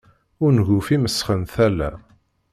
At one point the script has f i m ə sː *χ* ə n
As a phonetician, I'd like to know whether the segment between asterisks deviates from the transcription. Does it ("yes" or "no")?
no